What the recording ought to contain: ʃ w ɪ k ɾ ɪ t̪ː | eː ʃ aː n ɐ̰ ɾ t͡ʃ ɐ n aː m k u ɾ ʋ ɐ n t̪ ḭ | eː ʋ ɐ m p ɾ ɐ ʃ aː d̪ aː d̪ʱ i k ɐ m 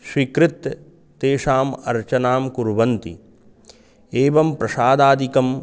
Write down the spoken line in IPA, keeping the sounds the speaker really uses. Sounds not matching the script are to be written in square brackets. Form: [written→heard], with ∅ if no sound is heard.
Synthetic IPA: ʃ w [ɪ→i] k ɾ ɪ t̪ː | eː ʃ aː [n→m] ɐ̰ ɾ t͡ʃ ɐ n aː m k u ɾ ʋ ɐ n t̪ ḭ | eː ʋ ɐ m p ɾ ɐ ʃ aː d̪ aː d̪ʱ i k ɐ m